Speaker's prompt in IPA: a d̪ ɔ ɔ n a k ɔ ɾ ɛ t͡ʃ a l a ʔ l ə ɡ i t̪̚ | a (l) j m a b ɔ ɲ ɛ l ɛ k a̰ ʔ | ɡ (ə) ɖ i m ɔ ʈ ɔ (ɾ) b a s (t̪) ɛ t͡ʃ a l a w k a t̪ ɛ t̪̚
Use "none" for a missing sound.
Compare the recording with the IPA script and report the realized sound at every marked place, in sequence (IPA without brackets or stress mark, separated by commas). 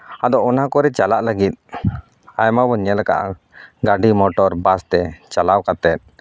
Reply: none, a, ɾ, t̪